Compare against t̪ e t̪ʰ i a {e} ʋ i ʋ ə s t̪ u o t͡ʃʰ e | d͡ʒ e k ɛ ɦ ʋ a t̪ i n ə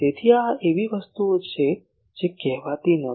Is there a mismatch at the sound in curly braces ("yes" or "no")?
no